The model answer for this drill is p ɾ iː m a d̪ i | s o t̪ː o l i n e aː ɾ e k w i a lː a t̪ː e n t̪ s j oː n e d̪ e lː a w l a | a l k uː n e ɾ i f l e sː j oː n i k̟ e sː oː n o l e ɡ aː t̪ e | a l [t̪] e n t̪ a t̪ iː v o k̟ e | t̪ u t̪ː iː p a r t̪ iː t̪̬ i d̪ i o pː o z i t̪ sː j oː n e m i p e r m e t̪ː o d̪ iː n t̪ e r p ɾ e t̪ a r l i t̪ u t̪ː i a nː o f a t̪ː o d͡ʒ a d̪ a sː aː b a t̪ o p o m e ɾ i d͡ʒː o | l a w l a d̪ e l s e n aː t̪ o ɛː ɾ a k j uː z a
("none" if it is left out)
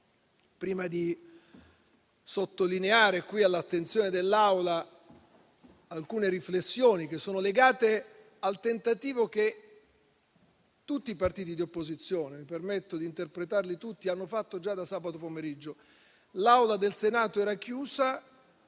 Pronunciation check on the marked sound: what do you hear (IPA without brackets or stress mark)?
t̪